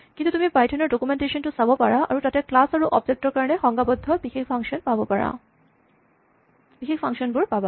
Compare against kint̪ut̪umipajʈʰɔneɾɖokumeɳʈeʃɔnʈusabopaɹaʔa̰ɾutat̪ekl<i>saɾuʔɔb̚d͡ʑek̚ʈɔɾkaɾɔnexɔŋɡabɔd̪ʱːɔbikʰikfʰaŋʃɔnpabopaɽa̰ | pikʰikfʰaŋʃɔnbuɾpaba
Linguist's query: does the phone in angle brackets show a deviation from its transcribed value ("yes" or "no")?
yes